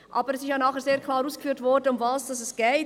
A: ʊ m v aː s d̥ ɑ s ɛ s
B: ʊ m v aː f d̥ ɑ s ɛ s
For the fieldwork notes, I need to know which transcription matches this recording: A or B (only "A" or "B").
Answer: A